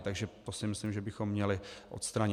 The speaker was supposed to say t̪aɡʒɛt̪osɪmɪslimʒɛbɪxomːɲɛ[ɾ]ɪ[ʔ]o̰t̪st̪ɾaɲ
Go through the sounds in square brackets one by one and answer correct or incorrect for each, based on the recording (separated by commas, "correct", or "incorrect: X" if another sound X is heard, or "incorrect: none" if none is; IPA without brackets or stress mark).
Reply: incorrect: l, correct